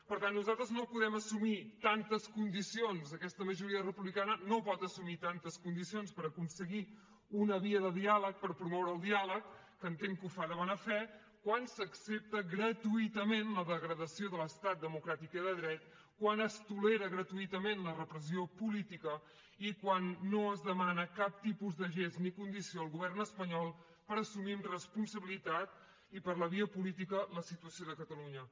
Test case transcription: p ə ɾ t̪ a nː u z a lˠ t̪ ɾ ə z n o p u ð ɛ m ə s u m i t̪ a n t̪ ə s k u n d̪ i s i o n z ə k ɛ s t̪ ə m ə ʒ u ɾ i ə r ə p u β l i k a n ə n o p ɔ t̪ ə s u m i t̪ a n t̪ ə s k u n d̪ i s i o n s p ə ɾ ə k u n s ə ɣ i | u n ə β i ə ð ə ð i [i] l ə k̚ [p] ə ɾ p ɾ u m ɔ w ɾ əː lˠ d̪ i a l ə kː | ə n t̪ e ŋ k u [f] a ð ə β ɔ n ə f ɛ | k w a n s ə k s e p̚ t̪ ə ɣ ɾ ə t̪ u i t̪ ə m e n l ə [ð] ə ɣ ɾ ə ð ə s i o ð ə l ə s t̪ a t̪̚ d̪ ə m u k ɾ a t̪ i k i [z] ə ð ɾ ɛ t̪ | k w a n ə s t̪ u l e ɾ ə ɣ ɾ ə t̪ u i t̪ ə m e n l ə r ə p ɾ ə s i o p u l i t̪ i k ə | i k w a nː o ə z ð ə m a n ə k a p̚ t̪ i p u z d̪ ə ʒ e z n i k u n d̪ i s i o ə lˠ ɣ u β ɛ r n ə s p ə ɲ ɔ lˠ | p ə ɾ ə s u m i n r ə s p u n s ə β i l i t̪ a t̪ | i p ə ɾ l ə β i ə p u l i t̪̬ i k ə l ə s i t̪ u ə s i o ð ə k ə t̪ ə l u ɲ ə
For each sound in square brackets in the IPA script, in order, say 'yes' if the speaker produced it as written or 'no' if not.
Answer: no, yes, yes, yes, no

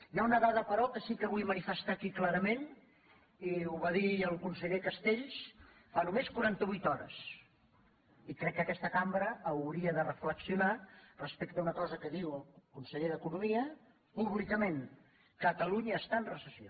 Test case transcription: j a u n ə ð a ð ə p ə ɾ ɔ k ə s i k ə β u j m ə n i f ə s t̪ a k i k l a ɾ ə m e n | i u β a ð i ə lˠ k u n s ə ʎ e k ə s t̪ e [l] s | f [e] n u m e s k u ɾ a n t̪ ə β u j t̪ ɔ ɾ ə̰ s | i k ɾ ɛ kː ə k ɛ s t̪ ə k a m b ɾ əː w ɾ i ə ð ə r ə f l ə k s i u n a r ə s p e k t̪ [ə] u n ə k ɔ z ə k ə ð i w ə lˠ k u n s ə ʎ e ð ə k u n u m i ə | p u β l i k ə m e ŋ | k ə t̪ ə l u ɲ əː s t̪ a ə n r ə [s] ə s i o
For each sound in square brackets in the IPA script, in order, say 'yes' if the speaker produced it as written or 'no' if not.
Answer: no, no, yes, yes

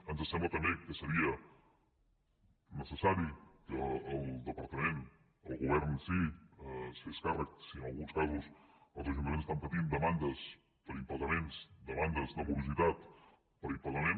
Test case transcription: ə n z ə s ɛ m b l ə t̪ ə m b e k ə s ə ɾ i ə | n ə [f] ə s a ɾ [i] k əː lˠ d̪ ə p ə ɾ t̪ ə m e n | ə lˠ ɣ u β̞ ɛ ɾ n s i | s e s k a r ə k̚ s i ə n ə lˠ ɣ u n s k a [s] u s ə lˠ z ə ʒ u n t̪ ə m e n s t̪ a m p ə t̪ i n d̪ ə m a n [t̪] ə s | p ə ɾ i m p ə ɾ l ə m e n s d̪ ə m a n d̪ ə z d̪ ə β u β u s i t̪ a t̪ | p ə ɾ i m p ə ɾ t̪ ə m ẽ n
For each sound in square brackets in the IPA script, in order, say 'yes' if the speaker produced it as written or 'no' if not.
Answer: no, yes, no, no

